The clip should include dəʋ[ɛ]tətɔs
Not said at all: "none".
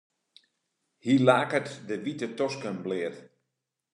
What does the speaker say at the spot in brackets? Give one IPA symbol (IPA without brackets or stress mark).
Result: i